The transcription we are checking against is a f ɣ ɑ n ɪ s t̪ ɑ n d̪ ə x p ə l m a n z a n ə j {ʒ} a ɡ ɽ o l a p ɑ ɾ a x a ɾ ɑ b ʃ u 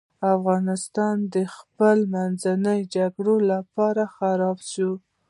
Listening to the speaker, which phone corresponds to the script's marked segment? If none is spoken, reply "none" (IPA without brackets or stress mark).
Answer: d͡ʒ